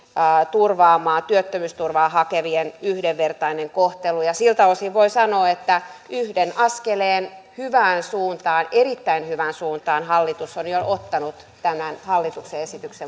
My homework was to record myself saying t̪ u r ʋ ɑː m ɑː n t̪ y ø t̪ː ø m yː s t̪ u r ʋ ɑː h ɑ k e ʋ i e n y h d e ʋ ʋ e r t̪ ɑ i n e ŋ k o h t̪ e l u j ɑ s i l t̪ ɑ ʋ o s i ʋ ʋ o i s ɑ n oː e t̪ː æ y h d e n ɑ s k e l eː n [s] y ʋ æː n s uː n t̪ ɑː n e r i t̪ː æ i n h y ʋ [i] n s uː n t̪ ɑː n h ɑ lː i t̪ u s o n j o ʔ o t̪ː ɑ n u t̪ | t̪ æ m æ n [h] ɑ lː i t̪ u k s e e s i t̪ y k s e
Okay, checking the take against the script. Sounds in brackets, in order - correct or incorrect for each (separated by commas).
incorrect, incorrect, correct